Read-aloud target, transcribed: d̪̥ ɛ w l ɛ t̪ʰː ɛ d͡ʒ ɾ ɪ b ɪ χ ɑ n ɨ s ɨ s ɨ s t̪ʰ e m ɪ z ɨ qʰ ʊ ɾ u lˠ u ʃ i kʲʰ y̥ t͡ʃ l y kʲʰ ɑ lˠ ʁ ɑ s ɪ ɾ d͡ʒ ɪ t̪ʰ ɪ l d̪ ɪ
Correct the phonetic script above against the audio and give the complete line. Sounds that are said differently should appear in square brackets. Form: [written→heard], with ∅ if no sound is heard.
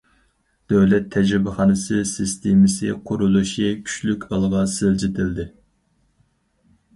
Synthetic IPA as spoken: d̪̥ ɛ w l ɛ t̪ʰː ɛ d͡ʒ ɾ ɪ b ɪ χ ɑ n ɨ s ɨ s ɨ s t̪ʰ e m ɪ [z→s] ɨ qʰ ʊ ɾ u lˠ u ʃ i kʲʰ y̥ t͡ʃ l y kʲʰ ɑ lˠ ʁ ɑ s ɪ [ɾ→l] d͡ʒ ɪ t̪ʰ ɪ l d̪ ɪ